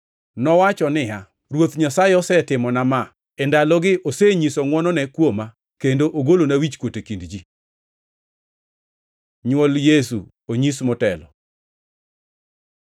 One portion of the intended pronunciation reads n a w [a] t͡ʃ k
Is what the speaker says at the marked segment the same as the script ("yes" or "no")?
no